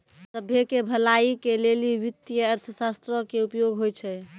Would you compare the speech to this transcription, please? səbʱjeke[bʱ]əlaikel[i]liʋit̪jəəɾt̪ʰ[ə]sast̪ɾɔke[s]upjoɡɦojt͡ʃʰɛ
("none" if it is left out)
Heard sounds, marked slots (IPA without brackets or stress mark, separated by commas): bʱ, e, ə, none